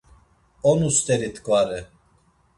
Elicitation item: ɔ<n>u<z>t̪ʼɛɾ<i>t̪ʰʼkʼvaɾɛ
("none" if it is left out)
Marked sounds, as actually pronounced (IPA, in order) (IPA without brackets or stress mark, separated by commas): n, s, i